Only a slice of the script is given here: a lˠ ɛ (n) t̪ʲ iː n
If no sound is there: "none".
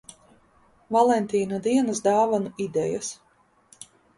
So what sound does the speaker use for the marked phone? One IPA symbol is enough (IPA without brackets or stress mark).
n